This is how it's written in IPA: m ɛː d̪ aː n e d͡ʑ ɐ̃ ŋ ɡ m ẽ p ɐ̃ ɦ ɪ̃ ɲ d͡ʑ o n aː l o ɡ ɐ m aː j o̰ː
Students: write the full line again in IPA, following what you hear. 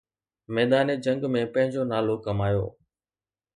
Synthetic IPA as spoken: m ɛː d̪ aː n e d͡ʑ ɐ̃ ŋ ɡ m ẽ p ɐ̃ ɦ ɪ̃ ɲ d͡ʑ o n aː l o k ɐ m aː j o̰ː